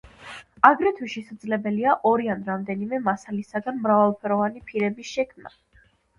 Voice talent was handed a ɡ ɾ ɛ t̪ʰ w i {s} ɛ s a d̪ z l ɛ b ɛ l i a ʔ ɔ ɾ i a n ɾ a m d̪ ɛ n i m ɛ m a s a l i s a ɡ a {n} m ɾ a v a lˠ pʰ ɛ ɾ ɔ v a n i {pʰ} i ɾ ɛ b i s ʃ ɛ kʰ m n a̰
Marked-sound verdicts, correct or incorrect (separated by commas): incorrect, correct, correct